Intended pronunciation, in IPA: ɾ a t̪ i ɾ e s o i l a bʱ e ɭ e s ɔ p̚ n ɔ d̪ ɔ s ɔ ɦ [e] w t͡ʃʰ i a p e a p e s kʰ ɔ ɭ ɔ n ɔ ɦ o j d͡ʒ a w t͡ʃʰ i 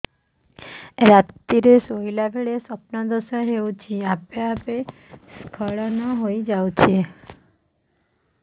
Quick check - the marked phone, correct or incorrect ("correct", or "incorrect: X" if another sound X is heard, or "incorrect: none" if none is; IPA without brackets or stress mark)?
correct